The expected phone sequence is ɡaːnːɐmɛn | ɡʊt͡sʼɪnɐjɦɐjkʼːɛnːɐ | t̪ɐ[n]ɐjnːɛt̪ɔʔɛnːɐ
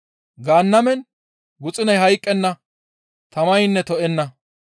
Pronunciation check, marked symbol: incorrect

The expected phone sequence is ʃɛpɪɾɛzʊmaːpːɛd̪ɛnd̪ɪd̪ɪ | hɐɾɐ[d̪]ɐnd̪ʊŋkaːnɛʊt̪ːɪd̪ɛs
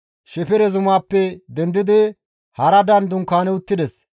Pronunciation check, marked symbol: correct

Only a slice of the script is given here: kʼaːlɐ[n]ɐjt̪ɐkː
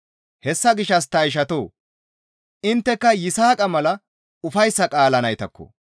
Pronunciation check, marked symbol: correct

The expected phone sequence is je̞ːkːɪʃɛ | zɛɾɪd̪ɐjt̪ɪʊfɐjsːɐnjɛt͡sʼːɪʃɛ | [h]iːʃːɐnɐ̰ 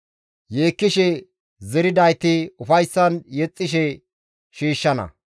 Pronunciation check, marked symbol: incorrect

